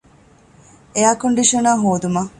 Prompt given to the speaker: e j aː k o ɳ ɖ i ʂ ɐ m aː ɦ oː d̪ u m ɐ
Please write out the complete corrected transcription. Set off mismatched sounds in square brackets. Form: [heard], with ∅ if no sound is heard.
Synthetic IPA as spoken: e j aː k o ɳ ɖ i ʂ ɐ [n] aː ɦ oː d̪ u m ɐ

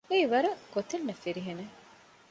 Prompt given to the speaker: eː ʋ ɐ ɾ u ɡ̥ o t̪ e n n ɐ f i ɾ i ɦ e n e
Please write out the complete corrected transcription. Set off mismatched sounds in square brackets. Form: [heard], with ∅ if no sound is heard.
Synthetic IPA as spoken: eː ʋ ɐ ɾ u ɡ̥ o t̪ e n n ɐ f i ɾ i ɦ e n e

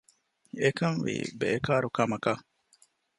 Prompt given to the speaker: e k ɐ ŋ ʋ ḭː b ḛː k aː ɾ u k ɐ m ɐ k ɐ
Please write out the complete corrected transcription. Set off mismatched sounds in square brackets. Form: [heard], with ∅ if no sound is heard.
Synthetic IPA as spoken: e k ɐ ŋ ʋ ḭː b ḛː k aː ɾ u k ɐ m ɐ k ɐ

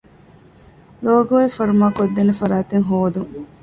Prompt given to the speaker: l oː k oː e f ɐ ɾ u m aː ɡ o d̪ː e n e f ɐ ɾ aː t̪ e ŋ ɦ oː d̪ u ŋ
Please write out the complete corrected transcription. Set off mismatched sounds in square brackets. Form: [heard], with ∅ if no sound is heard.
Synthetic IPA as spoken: l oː [ɡ] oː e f ɐ ɾ u m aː [k] o d̪ː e n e f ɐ ɾ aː t̪ e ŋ ɦ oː d̪ u ŋ

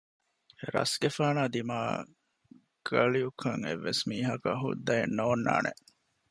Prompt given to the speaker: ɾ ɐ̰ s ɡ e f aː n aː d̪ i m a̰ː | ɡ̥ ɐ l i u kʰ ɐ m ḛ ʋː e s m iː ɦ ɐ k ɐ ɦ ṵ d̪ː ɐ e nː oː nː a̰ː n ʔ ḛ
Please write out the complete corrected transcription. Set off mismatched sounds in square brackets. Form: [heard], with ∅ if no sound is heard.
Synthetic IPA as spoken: ɾ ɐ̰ s ɡ e f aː n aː d̪ i m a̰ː | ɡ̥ ɐ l i u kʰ ɐ [ŋ] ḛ ʋː e s m iː ɦ ɐ k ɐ ɦ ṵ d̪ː ɐ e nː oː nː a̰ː n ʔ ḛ

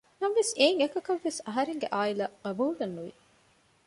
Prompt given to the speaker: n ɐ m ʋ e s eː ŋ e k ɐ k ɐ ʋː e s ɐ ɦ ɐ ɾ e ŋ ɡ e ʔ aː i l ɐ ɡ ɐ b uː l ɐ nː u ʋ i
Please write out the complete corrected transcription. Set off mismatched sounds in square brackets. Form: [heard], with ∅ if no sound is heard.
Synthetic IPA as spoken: n ɐ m ʋ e s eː ŋ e k ɐ k ɐ ʋː e s ɐ ɦ ɐ ɾ e ŋ ɡ e ʔ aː i l ɐ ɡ ɐ b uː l ɐ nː u ʋ i

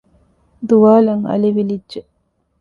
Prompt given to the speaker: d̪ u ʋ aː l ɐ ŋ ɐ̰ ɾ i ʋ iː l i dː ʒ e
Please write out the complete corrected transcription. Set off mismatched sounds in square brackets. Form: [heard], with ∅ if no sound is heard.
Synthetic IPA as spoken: d̪ u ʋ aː l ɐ ŋ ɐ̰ [l] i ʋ [i] l i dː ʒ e

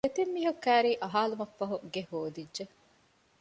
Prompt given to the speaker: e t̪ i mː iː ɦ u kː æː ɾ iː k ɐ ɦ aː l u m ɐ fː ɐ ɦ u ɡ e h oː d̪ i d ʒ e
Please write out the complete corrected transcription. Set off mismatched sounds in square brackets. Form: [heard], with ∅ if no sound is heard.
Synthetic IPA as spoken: e t̪ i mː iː ɦ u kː æː ɾ iː [ʔ] ɐ ɦ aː l u m ɐ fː ɐ ɦ u ɡ e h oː d̪ i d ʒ e

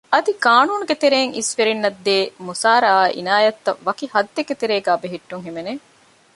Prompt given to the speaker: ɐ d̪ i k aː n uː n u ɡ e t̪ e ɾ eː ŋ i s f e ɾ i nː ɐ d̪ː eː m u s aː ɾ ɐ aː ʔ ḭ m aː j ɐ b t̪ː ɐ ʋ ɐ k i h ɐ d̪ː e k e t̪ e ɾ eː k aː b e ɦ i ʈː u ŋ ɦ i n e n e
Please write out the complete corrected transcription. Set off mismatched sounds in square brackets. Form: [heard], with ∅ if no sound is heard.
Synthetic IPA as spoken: ɐ d̪ i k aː n uː n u ɡ e t̪ e ɾ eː ŋ i s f e ɾ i nː ɐ d̪ː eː m u s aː ɾ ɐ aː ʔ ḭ [n] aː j ɐ [∅] t̪ː ɐ ʋ ɐ k i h ɐ d̪ː e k e t̪ e ɾ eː [ɡ] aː b e ɦ i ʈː u ŋ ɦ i [m] e n e

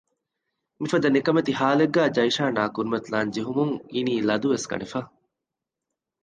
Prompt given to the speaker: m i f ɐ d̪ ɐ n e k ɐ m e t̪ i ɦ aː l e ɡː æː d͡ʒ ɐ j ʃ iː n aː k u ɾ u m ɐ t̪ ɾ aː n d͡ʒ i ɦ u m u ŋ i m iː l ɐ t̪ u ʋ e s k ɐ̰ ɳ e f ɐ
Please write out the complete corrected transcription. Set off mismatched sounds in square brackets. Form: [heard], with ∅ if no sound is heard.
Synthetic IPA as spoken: m i f ɐ d̪ ɐ n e k ɐ m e t̪ i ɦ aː l e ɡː æː d͡ʒ ɐ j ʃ [aː] n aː k u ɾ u m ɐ t̪ [l] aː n d͡ʒ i ɦ u m u ŋ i [n] iː l ɐ [d̪] u ʋ e s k ɐ̰ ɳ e f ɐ

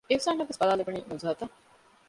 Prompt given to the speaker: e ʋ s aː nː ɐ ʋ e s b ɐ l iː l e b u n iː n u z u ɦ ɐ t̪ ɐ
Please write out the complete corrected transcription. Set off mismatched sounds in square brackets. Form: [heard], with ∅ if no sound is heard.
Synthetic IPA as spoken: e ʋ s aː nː ɐ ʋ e s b ɐ l [aː] l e b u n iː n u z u ɦ ɐ t̪ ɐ

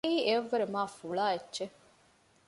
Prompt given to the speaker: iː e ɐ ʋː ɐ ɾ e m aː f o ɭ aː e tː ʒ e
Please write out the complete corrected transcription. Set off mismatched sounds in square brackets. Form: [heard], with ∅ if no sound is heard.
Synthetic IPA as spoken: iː e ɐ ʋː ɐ ɾ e m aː f [u] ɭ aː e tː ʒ e

